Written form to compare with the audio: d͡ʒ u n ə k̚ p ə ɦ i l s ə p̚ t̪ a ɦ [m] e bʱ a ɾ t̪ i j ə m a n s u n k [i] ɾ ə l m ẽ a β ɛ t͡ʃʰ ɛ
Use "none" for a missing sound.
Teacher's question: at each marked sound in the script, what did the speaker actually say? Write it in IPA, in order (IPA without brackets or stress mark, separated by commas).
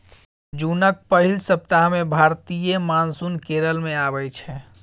m, e